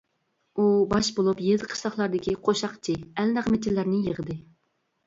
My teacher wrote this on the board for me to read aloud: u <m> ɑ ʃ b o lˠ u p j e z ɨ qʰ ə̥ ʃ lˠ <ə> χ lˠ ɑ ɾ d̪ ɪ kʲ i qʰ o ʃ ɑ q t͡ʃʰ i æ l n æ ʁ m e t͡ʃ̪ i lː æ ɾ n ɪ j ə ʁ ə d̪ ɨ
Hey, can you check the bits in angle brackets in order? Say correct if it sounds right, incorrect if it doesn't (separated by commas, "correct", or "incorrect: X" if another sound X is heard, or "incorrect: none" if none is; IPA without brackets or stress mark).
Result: incorrect: b, incorrect: ɑ